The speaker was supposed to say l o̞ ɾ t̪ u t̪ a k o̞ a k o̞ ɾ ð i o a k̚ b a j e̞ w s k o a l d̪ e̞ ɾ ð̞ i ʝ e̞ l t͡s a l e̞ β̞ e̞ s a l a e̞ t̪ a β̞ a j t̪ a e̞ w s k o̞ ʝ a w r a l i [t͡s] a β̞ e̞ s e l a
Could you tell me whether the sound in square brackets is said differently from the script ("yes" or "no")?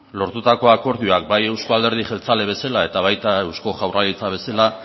no